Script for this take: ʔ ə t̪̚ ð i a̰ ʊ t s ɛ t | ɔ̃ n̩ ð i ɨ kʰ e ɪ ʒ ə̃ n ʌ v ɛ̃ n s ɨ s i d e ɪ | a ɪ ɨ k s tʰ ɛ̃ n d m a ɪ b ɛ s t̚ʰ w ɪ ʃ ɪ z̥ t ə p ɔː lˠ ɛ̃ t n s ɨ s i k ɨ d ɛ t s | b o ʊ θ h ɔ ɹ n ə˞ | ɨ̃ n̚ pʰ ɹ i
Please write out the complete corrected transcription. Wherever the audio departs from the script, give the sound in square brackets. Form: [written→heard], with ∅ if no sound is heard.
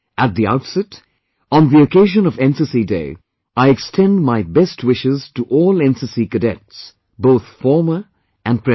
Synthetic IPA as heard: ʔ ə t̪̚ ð i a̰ ʊ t s ɛ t | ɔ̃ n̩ ð i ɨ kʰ e ɪ ʒ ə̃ n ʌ v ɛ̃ n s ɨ s i d e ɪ | a ɪ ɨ k s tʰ ɛ̃ n d m a ɪ b ɛ s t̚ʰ w ɪ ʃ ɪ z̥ t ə [p→ʔ] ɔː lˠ ɛ̃ [t→∅] n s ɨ s i k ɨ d ɛ t s | b o ʊ θ [h→f] ɔ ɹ [n→m] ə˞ | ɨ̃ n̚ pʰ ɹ [i→ɛ]